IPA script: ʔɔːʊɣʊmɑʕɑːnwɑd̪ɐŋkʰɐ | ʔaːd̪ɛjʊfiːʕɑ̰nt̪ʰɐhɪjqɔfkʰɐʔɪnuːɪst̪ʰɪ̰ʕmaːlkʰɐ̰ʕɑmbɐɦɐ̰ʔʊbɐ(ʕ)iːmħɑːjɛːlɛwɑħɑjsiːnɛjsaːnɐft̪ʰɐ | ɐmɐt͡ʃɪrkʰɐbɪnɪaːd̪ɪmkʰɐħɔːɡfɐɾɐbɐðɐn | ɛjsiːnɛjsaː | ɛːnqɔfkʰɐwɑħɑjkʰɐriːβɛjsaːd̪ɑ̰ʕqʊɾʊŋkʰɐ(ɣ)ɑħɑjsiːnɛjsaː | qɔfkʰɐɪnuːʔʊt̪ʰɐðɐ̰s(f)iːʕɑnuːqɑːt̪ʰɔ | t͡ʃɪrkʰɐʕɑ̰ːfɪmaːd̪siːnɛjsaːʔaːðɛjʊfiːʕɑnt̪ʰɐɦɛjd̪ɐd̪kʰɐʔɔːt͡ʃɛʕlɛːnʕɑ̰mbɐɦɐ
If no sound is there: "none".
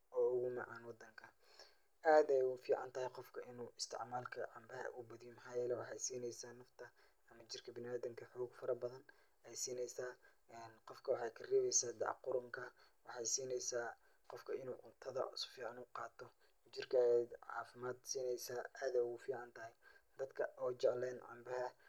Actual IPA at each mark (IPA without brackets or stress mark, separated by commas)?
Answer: ð, w, f